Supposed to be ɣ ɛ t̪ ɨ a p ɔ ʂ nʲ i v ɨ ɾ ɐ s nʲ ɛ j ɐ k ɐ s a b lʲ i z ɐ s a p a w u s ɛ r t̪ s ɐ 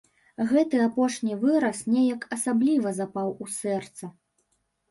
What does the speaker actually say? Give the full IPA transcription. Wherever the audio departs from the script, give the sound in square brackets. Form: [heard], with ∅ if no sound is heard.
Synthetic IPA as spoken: ɣ ɛ t̪ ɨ a p ɔ ʂ nʲ i v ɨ ɾ ɐ s nʲ ɛ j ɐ k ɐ s a b lʲ i [v] ɐ [z] a p a w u s ɛ r t̪ s ɐ